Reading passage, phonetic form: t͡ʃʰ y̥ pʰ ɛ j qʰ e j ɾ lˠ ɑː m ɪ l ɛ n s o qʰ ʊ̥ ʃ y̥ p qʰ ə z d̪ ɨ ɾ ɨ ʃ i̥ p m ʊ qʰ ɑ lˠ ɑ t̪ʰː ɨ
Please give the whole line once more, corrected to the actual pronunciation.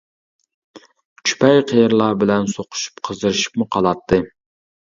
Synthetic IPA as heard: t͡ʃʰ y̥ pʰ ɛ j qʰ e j ɾ lˠ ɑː b ɪ l ɛ n s o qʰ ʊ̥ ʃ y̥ p qʰ ə z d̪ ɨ ɾ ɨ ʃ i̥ p m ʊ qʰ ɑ lˠ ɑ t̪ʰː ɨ